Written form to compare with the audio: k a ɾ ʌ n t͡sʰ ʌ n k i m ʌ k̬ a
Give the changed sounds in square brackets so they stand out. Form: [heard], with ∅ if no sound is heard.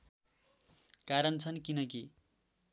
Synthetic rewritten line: k a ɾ ʌ n t͡sʰ ʌ n k i [n] ʌ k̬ [i]